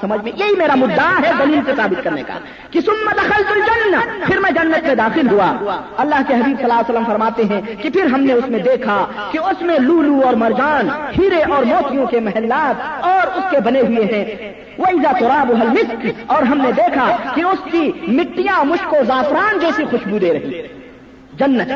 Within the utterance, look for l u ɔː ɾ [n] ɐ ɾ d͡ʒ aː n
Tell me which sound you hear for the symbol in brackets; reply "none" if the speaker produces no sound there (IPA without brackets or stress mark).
m